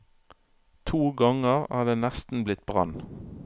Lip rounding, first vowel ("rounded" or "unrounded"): rounded